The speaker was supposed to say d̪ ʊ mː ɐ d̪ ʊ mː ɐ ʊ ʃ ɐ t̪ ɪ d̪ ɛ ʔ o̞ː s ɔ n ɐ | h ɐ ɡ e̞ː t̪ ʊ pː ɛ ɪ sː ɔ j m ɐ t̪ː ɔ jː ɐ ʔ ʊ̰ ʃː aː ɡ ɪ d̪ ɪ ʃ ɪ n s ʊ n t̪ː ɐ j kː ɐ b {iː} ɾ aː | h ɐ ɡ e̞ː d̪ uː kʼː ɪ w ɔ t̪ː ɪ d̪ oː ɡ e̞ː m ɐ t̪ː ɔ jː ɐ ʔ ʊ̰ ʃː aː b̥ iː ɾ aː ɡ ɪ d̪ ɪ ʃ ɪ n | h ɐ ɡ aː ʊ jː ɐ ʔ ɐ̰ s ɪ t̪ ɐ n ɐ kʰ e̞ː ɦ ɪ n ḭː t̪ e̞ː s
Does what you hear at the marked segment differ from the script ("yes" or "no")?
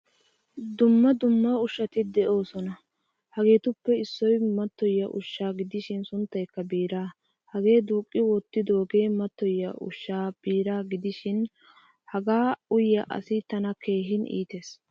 no